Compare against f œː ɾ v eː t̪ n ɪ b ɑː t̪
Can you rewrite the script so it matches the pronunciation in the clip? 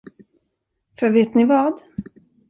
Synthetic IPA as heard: f œ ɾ v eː t̪ n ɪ v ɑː d̪

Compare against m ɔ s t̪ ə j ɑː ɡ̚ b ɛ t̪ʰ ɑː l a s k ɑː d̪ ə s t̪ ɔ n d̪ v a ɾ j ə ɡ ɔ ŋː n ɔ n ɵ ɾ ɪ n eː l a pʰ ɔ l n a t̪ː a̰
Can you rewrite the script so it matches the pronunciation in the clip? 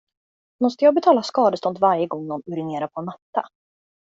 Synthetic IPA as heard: m ɔ s t̪ ə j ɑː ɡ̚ b ɛ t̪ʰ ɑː l a s k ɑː d̪ ə s t̪ ɔ n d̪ v a ɾ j ə ɡ ɔ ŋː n ɔ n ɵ ɾ ɪ n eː ɾ a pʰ ɔ n a t̪ː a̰

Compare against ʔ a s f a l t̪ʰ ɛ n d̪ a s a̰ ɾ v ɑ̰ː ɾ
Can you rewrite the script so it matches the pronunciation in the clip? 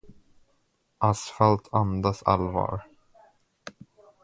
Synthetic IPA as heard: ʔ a s f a l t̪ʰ a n d̪ a s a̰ l v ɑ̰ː ɾ

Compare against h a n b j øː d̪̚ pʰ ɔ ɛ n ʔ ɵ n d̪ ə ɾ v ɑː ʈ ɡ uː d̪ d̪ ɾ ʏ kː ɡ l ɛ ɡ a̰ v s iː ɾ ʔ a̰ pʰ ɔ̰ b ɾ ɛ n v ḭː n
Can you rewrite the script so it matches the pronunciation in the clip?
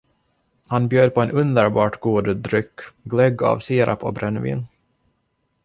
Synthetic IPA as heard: h a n b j øː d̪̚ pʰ ɔ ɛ n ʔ ɵ n d̪ ə ɾ b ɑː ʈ ɡ uː d̪ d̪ ɾ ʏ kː ɡ l ɛ ɡ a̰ v s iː ɾ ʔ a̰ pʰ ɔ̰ b ɾ ɛ n v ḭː n

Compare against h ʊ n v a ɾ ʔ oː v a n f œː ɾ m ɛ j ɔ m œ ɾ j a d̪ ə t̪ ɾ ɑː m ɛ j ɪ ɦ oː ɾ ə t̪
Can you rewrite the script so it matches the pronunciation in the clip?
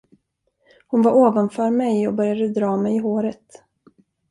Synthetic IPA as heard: h ʊ n v a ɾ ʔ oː v a n f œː ɾ m ɛ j ɔ b œ ɾ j a d̪ ə d̪ ɾ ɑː m ɛ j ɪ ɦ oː ɾ ə t̪

